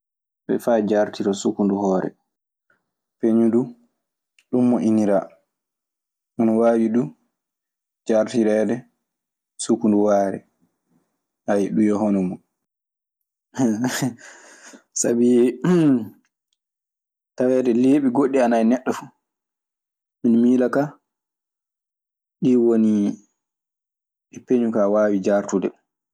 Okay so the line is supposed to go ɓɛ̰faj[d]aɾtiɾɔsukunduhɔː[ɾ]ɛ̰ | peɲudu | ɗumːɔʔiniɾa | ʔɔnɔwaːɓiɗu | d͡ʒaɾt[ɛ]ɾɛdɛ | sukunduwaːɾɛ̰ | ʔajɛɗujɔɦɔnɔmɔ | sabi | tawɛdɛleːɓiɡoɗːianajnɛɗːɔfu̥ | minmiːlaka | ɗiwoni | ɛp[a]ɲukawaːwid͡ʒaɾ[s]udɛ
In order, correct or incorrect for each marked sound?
incorrect: d͡ʒ, correct, incorrect: i, incorrect: e, incorrect: t

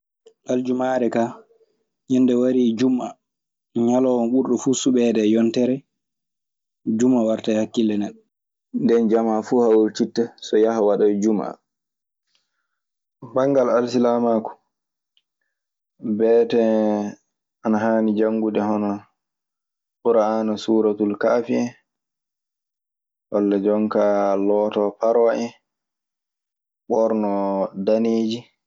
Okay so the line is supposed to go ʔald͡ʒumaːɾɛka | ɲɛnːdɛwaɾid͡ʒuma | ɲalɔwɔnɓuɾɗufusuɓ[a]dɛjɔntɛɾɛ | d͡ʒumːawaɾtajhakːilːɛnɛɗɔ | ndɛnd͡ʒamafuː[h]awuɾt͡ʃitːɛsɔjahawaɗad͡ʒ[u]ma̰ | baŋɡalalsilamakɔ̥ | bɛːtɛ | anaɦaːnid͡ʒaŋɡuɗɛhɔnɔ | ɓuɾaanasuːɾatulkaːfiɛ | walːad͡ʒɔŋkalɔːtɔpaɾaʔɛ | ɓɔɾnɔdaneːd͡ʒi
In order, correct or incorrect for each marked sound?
incorrect: ɛ, correct, correct

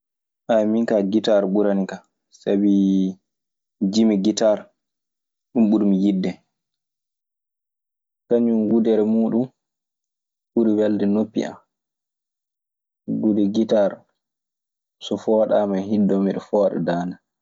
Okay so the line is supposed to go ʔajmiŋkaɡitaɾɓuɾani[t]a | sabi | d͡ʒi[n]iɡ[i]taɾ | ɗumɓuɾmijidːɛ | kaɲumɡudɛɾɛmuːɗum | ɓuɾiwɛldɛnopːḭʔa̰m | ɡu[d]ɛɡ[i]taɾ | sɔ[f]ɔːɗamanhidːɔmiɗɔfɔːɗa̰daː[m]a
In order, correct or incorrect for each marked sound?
incorrect: k, incorrect: m, correct, correct, correct, correct, incorrect: n

